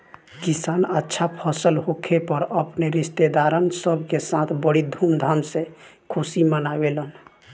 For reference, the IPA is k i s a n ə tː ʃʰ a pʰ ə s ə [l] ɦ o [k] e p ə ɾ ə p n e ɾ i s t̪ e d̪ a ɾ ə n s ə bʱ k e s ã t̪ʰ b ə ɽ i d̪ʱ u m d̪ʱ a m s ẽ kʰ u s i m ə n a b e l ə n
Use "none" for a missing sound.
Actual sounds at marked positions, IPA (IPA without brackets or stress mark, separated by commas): l, kʰ